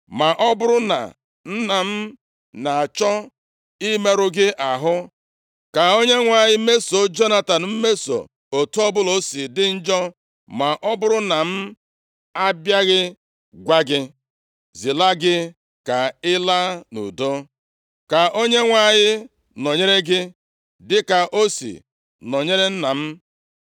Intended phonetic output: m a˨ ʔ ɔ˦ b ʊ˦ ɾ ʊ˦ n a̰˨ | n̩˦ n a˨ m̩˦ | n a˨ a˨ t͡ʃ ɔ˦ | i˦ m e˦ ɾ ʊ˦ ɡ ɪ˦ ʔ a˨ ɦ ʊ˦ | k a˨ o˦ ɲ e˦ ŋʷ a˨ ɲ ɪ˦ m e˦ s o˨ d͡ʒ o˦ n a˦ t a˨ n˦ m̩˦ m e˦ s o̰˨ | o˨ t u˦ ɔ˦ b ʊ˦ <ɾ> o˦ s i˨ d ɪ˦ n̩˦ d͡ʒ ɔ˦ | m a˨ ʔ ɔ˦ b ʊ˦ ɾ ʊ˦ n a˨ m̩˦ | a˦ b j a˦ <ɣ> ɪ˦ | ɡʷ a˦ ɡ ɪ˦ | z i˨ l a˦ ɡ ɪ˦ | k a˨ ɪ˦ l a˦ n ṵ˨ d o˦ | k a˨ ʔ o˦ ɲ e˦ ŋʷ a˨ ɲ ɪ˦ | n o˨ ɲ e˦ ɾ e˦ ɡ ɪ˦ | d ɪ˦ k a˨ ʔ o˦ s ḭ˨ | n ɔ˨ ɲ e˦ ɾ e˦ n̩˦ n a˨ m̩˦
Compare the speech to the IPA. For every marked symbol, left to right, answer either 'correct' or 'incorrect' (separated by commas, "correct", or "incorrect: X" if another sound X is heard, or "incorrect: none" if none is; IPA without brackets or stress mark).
incorrect: l, correct